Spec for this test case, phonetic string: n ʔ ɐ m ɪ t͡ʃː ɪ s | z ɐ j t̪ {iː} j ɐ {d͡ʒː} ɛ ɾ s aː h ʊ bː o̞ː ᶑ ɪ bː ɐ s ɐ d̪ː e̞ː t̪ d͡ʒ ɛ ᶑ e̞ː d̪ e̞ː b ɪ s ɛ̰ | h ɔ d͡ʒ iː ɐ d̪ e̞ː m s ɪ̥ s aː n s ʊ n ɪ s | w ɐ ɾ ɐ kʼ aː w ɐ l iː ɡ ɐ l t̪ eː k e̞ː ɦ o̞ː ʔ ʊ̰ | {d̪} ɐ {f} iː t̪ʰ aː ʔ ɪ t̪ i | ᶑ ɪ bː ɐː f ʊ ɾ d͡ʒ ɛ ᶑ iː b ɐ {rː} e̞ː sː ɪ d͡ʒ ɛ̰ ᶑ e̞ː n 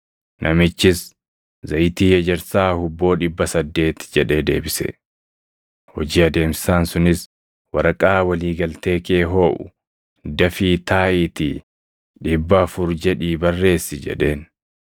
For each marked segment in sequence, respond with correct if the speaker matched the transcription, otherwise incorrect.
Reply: correct, incorrect, correct, correct, correct

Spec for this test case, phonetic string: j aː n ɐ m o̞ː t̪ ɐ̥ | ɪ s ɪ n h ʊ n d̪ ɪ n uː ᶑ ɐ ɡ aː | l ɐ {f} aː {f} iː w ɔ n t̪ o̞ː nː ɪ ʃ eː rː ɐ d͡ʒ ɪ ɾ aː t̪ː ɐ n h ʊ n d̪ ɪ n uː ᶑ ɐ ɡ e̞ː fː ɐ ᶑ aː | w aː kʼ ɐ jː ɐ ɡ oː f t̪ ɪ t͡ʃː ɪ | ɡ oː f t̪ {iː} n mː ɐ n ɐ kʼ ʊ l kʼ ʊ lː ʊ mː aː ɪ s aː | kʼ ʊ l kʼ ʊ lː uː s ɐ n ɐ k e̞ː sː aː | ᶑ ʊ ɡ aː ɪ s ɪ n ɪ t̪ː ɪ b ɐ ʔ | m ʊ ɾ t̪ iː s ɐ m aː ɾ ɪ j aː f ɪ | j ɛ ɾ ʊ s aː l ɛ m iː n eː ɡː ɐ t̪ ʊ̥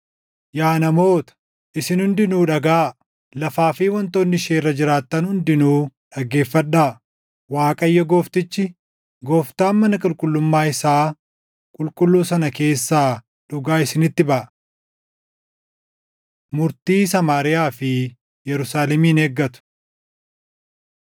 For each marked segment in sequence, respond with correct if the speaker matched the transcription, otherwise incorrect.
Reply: correct, correct, incorrect

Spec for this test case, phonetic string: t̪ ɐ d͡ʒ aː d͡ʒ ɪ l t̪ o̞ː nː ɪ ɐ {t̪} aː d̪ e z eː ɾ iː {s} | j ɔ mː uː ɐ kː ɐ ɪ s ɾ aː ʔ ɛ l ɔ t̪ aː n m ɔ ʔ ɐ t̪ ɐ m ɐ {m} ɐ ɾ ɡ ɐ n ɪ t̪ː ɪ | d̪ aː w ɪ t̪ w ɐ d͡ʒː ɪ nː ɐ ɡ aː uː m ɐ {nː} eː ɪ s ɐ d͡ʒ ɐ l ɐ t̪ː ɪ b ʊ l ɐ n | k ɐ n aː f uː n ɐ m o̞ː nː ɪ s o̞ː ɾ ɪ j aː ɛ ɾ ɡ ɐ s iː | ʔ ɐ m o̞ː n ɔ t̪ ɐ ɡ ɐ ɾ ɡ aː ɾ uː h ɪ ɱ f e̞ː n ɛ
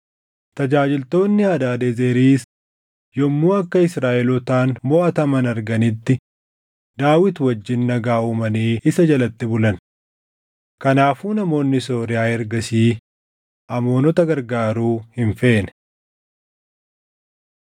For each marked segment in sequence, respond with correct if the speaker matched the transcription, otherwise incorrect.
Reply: incorrect, correct, incorrect, incorrect

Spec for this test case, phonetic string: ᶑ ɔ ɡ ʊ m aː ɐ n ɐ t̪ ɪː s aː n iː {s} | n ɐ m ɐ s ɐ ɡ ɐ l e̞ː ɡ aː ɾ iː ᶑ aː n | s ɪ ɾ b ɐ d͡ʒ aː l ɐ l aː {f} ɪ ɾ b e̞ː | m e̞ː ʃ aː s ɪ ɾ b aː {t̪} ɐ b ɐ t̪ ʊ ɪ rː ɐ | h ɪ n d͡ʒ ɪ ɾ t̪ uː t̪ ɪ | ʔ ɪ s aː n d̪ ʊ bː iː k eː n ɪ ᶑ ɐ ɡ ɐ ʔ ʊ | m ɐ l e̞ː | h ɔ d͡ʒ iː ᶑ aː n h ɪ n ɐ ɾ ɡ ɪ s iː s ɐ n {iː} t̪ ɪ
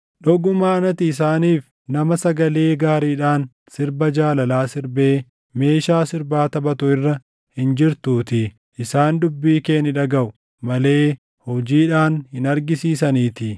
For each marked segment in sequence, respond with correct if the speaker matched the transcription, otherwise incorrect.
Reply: incorrect, incorrect, correct, correct

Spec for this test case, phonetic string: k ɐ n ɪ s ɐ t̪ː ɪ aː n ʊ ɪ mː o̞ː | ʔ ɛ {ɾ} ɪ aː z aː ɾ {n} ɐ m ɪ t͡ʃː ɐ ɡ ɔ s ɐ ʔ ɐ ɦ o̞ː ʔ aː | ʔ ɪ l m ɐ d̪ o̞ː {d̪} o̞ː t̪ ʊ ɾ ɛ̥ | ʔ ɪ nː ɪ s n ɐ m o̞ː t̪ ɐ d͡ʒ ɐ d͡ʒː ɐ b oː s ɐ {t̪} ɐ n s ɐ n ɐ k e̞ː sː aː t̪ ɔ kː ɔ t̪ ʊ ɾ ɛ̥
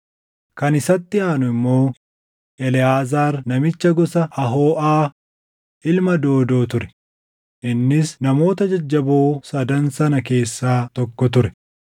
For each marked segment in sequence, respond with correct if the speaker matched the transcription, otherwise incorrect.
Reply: incorrect, correct, correct, incorrect

